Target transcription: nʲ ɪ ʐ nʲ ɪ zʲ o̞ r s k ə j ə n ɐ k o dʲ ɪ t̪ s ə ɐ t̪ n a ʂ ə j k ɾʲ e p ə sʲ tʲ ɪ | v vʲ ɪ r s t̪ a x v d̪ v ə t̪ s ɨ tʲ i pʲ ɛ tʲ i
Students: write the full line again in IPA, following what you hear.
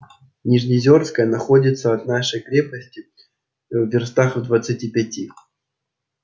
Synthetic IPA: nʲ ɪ ʐ nʲ ɪ zʲ o̞ r s k ə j ə n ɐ x o dʲ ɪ t̪ s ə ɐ t̪ n a ʂ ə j k ɾʲ e p ə sʲ tʲ ɪ | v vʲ ɪ r s t̪ a x v d̪ v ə t̪ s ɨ tʲ i pʲ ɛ tʲ i